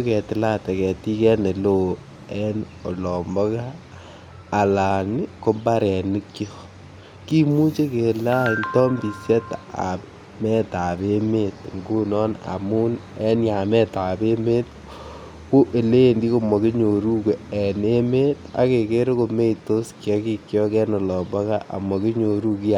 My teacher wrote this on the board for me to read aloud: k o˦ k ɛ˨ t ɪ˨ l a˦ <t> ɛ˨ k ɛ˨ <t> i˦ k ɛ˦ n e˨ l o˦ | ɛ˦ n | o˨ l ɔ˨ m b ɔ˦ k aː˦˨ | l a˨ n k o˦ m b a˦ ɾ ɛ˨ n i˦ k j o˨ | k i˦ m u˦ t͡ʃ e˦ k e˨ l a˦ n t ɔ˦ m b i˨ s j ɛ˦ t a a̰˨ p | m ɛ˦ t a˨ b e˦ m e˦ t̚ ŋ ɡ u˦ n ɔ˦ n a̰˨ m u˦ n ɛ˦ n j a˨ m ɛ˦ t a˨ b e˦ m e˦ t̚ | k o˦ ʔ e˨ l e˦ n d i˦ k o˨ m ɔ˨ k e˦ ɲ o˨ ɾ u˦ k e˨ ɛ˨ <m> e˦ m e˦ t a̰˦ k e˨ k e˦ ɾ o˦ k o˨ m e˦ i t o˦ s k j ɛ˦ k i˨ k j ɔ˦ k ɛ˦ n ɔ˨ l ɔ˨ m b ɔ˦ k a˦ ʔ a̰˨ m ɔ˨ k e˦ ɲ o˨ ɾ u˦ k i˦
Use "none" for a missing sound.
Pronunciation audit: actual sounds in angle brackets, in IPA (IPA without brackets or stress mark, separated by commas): t, t, n